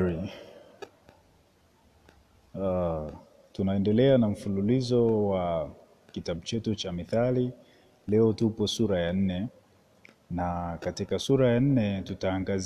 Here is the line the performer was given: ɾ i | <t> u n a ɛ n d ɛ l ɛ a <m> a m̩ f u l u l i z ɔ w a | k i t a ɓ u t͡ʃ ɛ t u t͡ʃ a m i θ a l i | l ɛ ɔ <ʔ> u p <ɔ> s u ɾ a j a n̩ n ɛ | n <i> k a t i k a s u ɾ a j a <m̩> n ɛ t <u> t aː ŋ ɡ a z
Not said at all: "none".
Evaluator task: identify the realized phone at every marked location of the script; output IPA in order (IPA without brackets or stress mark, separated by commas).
t, n, t, ɔ, a, n̩, u